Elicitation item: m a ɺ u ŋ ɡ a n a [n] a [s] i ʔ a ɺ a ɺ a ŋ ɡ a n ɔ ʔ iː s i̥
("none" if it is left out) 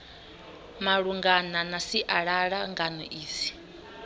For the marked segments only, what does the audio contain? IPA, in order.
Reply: n, s

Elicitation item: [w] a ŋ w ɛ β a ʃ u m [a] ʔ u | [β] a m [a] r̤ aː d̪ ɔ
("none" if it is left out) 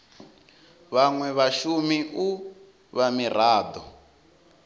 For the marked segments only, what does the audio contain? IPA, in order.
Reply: β, i, β, i

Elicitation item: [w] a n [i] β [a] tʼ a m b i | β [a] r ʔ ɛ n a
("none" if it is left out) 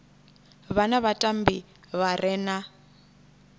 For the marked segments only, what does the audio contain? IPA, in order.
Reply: β, a, a, a

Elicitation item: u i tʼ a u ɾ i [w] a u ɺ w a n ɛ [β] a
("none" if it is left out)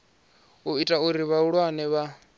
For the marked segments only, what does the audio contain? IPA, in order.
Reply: β, β

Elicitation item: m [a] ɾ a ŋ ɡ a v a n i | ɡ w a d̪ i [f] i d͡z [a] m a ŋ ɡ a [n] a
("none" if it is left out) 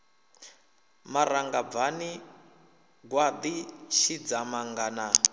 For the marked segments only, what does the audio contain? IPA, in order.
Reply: a, ʃ, a, n

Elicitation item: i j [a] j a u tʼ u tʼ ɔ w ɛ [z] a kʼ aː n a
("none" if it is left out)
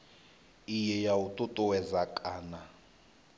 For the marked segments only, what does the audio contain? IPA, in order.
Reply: ɛ, z

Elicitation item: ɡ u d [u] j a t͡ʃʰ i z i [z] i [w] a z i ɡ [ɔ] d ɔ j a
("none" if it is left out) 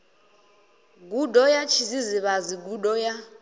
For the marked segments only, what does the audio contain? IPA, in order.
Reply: ɔ, z, β, u

